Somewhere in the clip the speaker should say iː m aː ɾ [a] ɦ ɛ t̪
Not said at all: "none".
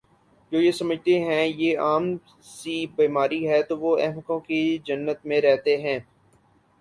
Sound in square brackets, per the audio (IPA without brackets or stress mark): i